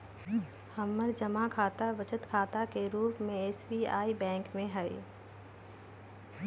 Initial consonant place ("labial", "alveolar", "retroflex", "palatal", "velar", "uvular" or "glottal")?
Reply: glottal